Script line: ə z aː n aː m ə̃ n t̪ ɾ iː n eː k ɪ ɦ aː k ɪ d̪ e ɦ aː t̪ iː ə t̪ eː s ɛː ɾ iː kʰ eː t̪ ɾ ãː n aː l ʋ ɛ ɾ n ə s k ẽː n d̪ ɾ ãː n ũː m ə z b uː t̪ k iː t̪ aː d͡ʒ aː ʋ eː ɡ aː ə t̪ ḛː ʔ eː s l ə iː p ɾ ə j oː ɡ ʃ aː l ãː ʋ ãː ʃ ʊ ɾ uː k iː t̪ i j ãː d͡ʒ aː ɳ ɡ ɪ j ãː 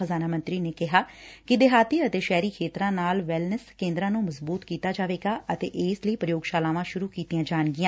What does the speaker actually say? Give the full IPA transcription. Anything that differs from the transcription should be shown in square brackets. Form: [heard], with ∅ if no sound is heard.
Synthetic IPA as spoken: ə z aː n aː m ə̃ n t̪ ɾ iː n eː k ɪ ɦ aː k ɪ d̪ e ɦ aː t̪ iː ə t̪ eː [ʃ] ɛː ɾ iː kʰ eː t̪ ɾ ãː n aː l ʋ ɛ [l] n ə s k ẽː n d̪ ɾ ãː n ũː m ə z b uː t̪ k iː t̪ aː d͡ʒ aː ʋ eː ɡ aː ə t̪ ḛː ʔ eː s l ə iː p ɾ ə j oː ɡ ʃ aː l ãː ʋ ãː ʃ ʊ ɾ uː k iː t̪ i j ãː d͡ʒ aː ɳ ɡ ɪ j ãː